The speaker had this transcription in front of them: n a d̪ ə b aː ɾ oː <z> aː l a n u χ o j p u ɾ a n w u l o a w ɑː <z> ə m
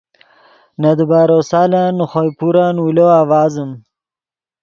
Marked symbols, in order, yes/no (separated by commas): no, yes